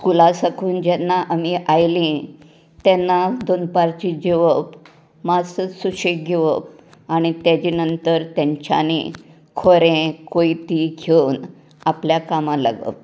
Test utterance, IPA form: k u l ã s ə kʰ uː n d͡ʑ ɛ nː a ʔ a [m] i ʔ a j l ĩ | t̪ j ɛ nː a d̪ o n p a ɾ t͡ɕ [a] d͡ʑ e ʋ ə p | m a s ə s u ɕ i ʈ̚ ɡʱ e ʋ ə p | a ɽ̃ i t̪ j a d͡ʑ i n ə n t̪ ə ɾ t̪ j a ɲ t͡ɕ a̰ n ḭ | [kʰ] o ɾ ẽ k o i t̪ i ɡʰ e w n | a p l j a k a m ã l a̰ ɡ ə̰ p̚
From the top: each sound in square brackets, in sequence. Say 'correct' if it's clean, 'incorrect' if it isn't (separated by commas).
correct, incorrect, correct